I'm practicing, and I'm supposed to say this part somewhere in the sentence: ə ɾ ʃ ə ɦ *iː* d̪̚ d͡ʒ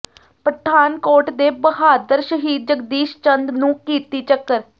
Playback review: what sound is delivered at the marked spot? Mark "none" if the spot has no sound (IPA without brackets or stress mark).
iː